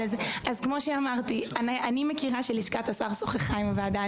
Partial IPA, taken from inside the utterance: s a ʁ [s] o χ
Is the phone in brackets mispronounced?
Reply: no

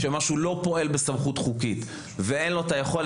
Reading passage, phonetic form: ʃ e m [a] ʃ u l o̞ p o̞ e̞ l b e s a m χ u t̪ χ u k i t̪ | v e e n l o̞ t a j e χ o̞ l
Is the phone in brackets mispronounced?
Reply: no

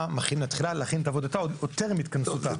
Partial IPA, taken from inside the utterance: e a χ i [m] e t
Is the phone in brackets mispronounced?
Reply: yes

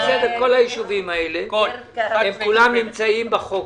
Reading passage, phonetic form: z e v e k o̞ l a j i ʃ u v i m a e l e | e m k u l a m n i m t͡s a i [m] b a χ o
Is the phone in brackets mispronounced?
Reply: no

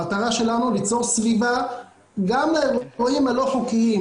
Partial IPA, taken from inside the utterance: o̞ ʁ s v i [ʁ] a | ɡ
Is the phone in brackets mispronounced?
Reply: yes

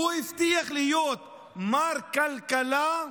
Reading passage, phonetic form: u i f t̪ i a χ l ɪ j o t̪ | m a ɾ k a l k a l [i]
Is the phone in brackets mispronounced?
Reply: yes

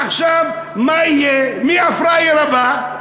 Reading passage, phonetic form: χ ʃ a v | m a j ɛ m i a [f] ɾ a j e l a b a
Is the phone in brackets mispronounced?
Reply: no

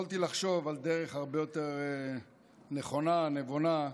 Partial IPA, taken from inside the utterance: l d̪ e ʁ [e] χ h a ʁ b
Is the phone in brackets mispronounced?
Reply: no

